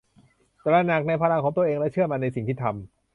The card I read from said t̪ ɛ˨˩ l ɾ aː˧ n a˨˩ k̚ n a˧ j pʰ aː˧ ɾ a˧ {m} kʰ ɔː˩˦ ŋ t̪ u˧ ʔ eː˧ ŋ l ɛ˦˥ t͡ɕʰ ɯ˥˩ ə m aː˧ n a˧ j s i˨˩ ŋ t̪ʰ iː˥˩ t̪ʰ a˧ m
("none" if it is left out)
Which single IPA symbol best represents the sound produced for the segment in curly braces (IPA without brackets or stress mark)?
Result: ŋ